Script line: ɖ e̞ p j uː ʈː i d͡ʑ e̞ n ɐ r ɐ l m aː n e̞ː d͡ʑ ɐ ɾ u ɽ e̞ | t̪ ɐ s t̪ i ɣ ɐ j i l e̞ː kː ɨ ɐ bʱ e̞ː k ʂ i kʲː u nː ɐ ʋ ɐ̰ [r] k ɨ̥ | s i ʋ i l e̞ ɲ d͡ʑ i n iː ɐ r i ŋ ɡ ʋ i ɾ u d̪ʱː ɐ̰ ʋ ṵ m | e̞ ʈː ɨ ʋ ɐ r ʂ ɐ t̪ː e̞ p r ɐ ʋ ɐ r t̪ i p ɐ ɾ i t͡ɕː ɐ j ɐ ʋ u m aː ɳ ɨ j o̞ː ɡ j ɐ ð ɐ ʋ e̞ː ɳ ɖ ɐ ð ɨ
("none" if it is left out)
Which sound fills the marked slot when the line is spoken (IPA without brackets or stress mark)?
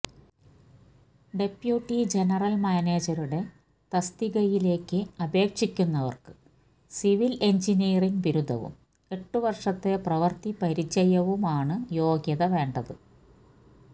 r